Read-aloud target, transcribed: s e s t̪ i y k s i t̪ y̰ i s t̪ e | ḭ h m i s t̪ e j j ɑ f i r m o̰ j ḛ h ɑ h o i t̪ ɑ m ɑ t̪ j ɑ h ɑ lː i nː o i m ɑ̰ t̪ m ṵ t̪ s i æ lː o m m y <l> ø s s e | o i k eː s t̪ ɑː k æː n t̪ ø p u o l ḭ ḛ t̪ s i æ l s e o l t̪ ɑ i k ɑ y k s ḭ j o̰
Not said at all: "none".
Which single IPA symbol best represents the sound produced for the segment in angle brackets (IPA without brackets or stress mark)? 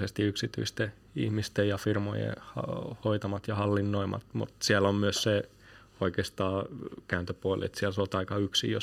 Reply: none